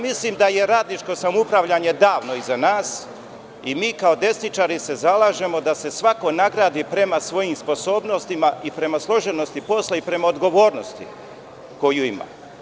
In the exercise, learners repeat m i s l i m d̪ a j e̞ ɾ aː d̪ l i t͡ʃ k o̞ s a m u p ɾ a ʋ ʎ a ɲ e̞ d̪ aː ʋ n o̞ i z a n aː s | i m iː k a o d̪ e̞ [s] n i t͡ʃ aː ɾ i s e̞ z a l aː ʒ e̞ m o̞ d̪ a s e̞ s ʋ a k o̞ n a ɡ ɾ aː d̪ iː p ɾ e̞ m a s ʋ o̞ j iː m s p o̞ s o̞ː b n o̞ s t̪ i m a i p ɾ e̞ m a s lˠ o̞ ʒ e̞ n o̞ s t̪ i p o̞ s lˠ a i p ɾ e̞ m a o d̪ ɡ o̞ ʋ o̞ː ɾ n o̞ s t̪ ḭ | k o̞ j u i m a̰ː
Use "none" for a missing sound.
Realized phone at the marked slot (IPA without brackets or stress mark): s